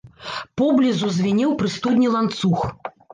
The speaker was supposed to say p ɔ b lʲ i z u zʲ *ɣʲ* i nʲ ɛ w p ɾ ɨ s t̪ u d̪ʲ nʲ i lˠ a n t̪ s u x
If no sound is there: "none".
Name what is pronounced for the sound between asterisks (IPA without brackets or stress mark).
vʲ